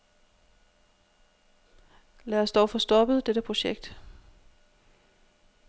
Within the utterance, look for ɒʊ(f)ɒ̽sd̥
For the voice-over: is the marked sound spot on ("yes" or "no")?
yes